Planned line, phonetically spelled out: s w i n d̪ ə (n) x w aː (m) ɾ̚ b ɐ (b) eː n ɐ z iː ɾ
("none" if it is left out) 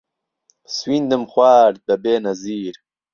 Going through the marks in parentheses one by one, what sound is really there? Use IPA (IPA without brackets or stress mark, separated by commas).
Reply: m, none, b